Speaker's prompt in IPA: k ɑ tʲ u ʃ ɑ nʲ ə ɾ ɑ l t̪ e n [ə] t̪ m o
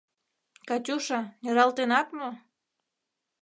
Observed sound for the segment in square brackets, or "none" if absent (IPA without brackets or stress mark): ɑ